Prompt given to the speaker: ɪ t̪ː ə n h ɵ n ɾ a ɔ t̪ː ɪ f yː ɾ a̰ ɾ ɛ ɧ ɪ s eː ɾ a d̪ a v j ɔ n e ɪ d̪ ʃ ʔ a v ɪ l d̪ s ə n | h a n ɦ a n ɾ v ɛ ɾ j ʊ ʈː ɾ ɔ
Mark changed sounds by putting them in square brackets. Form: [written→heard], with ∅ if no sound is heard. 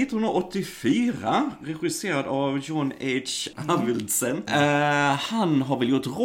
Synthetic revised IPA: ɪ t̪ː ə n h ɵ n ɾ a ɔ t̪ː ɪ f yː ɾ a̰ ɾ ɛ ɧ ɪ s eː ɾ a d̪ a v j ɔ n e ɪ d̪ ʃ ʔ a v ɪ l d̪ s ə n | h a n ɦ a [n→∅] ɾ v ɛ [ɾ→l] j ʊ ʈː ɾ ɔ